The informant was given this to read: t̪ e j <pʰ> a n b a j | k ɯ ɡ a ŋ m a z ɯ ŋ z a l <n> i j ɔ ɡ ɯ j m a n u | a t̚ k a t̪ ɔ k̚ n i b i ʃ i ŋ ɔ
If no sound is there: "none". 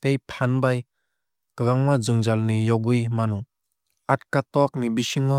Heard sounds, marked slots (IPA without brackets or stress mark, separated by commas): pʰ, n